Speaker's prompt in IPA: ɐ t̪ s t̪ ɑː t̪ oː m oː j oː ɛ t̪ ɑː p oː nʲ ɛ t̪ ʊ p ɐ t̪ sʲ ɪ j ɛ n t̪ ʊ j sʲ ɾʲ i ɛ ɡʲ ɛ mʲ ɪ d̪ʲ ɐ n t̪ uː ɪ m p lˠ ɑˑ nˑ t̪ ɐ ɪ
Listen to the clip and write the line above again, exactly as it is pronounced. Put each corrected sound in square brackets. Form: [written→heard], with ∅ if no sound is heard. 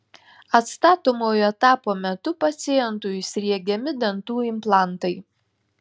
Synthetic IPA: ɐ t̪ s t̪ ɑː t̪ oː m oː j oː ɛ t̪ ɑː p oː [nʲ→mʲ] ɛ t̪ ʊ p ɐ t̪ sʲ ɪ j ɛ n t̪ ʊ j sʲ ɾʲ i ɛ ɡʲ ɛ mʲ ɪ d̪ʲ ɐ n t̪ uː ɪ m p lˠ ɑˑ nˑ t̪ ɐ ɪ